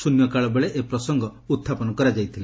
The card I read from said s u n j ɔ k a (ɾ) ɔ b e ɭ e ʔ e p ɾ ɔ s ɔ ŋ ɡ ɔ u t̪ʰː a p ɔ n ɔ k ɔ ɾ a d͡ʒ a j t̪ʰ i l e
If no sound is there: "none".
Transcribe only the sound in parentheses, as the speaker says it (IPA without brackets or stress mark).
ɭ